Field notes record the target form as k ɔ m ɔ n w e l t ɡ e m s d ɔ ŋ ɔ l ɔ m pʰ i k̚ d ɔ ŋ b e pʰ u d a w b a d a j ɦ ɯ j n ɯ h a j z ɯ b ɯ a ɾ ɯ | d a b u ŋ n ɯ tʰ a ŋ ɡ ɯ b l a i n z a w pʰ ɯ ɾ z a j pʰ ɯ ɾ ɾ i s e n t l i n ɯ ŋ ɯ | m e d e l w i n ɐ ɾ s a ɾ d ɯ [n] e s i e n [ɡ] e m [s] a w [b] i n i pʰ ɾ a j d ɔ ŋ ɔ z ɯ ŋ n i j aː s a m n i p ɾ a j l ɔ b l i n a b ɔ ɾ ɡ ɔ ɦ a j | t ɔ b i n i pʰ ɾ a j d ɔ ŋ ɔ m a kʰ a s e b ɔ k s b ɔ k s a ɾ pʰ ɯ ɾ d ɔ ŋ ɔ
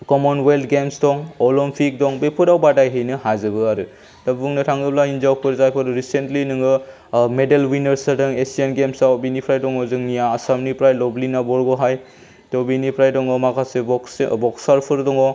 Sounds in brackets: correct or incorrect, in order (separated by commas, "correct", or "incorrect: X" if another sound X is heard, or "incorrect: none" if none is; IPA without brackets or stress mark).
incorrect: ŋ, correct, correct, correct